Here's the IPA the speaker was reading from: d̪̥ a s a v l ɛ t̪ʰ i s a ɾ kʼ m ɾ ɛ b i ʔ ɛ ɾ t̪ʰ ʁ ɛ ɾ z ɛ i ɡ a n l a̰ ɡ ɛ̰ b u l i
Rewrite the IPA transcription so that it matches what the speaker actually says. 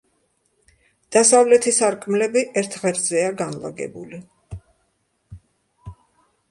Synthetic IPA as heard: d̪̥ a s a v l ɛ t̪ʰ i s a ɾ kʼ m l ɛ b i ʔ ɛ ɾ t̪ʰ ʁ ɛ ɾ z ɛ a ɡ a n l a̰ ɡ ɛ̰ b u l i